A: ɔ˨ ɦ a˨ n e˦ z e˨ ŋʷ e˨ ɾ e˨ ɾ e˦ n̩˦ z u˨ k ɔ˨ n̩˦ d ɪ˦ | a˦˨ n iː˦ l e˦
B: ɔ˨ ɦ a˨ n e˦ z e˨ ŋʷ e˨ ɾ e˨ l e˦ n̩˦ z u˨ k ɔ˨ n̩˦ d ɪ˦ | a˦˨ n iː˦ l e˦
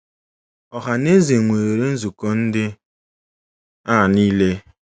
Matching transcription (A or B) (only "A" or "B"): A